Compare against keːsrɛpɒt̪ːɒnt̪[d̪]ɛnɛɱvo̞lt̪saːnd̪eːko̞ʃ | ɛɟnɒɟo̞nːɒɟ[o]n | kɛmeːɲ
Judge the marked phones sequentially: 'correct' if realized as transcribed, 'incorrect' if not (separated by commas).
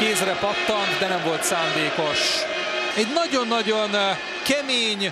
correct, correct